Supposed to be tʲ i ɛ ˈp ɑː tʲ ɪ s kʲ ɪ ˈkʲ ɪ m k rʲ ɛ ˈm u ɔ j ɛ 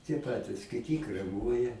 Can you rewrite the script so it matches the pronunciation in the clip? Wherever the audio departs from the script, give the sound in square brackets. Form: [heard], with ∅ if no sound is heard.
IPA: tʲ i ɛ ˈp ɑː tʲ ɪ s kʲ ɪ [ˈtʲ] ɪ [∅] k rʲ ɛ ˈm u ɔ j ɛ